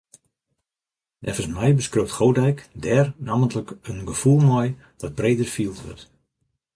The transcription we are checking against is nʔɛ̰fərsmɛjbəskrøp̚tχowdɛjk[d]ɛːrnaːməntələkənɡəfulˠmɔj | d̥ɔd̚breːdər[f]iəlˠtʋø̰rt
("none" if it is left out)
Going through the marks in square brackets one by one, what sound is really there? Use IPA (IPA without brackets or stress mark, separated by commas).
d, f